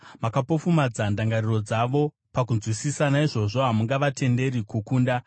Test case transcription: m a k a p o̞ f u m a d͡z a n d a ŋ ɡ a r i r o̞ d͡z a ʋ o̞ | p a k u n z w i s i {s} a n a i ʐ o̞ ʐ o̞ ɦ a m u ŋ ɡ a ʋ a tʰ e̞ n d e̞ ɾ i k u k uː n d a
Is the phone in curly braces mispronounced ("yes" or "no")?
no